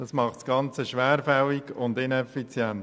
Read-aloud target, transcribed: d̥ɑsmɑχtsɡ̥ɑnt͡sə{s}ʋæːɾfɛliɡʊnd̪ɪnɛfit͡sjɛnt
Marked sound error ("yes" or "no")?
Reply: yes